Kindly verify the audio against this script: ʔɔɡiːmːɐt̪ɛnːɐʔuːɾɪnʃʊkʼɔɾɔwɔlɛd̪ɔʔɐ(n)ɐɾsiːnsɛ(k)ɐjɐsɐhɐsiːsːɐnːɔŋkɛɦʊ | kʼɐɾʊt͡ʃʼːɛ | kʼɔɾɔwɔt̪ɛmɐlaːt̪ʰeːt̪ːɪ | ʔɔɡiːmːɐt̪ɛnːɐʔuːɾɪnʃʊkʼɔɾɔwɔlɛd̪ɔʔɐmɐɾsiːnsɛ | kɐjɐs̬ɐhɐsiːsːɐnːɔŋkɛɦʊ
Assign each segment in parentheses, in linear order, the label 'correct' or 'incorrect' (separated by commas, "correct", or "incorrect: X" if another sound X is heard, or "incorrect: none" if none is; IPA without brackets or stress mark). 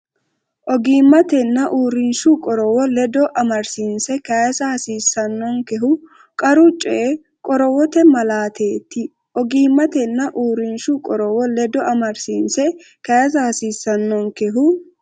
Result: incorrect: m, correct